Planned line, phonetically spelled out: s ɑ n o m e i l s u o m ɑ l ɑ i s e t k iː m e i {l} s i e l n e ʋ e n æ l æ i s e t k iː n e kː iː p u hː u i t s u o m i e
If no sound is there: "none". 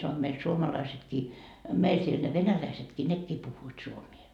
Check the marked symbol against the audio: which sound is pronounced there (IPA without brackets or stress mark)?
l